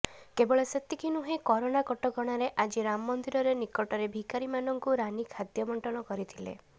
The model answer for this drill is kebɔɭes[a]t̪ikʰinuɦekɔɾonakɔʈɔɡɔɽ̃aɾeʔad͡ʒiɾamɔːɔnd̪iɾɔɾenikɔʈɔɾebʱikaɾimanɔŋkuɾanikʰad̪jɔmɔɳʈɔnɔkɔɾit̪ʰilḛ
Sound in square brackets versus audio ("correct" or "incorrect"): incorrect